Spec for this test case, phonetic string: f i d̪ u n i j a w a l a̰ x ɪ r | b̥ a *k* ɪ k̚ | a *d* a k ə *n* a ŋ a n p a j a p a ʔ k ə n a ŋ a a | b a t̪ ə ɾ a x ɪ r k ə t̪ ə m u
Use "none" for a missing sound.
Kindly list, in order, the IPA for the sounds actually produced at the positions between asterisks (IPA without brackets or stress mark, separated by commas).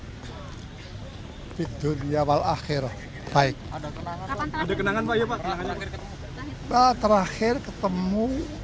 none, d, n